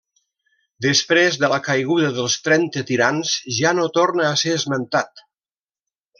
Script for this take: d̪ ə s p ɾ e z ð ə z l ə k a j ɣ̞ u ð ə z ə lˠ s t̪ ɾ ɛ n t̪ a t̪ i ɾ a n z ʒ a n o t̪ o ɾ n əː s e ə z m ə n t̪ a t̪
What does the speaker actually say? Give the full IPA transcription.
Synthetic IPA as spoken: d̪ ə s p ɾ e z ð ə l ə k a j ɣ̞ u ð ə ð ə lˠ s t̪ ɾ ɛ n t̪ ə t̪ i ɾ a n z ʒ a n o t̪ o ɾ n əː s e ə z m ə n t̪ a t̪